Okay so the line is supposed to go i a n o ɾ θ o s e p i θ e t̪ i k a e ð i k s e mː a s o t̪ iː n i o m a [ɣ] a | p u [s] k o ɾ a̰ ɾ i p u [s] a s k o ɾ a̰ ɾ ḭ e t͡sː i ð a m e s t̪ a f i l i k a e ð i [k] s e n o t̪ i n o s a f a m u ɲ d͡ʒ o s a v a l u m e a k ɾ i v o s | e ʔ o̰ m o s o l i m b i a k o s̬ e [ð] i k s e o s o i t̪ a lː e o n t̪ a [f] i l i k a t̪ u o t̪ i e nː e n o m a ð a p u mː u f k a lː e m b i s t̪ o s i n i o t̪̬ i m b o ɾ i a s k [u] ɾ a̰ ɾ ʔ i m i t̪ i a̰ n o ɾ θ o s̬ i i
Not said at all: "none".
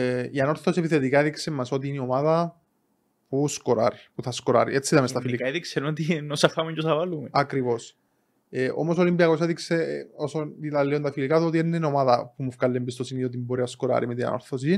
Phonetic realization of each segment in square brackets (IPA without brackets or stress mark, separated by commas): ð, s, θ, k, ð, f, o